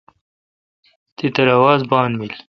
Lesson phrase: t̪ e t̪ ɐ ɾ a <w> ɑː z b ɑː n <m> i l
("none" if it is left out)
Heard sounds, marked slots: w, m

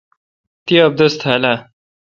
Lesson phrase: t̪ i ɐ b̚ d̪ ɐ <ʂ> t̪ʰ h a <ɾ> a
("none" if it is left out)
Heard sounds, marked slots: s, l

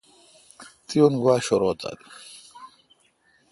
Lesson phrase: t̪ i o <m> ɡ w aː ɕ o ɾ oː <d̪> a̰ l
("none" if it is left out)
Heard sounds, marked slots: n, t̪

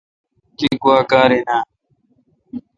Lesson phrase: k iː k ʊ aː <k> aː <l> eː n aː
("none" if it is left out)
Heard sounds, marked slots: k, ɾ

